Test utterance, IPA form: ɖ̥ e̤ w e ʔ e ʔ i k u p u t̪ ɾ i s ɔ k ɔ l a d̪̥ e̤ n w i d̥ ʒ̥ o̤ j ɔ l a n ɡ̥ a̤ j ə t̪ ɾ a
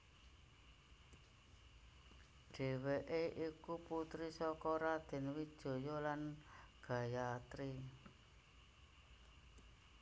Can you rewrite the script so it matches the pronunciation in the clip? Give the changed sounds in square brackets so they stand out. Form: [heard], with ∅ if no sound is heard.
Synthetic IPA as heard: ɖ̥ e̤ w e ʔ e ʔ i k u p u t̪ ɾ i s ɔ k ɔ [ɾ] a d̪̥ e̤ n w i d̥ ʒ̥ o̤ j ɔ l a n ɡ̥ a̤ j [a] t̪ ɾ [i]